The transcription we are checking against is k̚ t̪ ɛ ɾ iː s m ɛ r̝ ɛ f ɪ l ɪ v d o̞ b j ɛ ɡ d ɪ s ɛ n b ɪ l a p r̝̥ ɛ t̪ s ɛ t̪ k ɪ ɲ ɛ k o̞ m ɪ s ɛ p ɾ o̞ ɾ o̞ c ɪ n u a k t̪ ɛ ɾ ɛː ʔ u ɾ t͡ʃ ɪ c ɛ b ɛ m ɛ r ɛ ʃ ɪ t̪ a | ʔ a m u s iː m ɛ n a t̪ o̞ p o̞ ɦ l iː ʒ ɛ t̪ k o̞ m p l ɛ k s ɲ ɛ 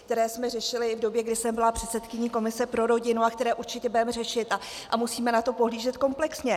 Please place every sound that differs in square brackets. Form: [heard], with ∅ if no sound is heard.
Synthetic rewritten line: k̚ t̪ ɛ ɾ [ɛː] s m ɛ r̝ ɛ [ʃ] ɪ l ɪ v d o̞ b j ɛ ɡ d ɪ s ɛ [m] b ɪ l a p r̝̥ ɛ t̪ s ɛ t̪ k ɪ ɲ [i] k o̞ m ɪ s ɛ p ɾ o̞ ɾ o̞ [ɟ] ɪ n u a k t̪ ɛ ɾ ɛː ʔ u ɾ t͡ʃ ɪ c ɛ b ɛ m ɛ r ɛ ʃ ɪ t̪ a | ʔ a m u s iː m ɛ n a t̪ o̞ p o̞ ɦ l iː ʒ ɛ t̪ k o̞ m p l ɛ k s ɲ ɛ